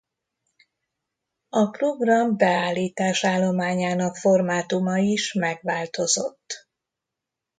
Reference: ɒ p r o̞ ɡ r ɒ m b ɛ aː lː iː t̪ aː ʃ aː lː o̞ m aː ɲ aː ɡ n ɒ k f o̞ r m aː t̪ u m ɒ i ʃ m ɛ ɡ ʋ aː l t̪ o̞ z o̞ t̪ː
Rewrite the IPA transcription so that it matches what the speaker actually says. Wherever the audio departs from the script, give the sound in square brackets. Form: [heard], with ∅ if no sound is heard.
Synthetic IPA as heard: ɒ p r o̞ ɡ r ɒ m b ɛ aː lː iː t̪ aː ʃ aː lː o̞ m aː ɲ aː [∅] n ɒ k f o̞ r m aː t̪ u m ɒ i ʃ m ɛ ɡ ʋ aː l t̪ o̞ z o̞ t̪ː

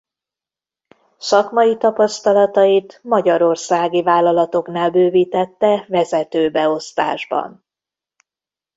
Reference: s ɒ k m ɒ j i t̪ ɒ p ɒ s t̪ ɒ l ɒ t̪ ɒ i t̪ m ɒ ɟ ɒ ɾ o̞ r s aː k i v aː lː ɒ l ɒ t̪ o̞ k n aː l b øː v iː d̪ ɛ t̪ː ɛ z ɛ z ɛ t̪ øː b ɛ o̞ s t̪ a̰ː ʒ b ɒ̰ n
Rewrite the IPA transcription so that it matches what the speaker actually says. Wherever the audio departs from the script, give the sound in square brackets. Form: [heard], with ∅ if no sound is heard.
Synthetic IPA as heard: s ɒ k m ɒ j i t̪ ɒ p ɒ s t̪ ɒ l ɒ t̪ ɒ i t̪ m ɒ ɟ ɒ ɾ o̞ r s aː [ɡ] i v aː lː ɒ l ɒ t̪ o̞ k n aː l b øː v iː [t̪] ɛ t̪ː ɛ [v] ɛ z ɛ t̪ øː b ɛ o̞ s t̪ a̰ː ʒ b ɒ̰ n

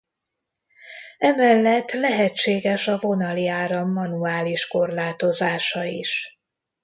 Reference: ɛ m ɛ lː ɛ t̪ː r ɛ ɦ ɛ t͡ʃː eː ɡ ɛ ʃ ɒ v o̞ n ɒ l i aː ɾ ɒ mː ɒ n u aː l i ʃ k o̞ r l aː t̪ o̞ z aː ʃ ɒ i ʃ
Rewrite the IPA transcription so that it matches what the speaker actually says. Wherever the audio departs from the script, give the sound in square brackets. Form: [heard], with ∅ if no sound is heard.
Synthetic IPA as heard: ɛ m ɛ lː ɛ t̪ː [l] ɛ ɦ ɛ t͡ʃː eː ɡ ɛ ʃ ɒ v o̞ n ɒ l i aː ɾ ɒ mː ɒ n u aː l i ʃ k o̞ r l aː t̪ o̞ z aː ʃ ɒ i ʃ

